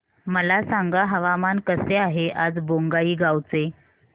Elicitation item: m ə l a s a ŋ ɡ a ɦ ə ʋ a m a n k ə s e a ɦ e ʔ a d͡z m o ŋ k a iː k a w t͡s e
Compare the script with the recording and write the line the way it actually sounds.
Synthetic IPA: m ə l a s a ŋ ɡ a ɦ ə ʋ a m a n k ə s e a ɦ e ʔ a d͡z b o ŋ ɡ a iː ɡ a w t͡s e